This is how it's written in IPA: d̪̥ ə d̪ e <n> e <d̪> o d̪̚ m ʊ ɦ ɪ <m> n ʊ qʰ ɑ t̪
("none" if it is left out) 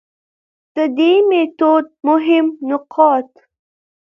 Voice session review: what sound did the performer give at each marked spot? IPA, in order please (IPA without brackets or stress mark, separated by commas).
m, t̪, m